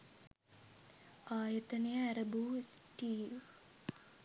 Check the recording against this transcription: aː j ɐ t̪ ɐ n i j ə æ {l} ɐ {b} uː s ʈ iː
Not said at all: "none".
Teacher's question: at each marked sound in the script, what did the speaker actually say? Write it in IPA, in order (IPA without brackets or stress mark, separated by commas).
ɾ, b